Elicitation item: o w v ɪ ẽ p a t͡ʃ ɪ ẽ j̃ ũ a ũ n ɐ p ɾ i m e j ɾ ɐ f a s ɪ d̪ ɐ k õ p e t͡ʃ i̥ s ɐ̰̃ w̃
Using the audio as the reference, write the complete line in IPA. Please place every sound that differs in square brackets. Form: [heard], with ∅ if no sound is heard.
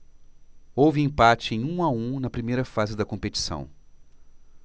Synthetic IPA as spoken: o w v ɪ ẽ p a t͡ʃ ɪ ẽ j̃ ũ a ũ n ɐ p ɾ i m e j ɾ ɐ f a [z] ɪ d̪ ɐ k õ p e t͡ʃ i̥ s ɐ̰̃ w̃